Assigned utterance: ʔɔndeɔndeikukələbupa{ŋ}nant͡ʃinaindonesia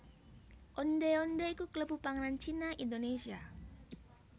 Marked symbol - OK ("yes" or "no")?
yes